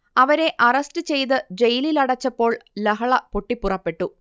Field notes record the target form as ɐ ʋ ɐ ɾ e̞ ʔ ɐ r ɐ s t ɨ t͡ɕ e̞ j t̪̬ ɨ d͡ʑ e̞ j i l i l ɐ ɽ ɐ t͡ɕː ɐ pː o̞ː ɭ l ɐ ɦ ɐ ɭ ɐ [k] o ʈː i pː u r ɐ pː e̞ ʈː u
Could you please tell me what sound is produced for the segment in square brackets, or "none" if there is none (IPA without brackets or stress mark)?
p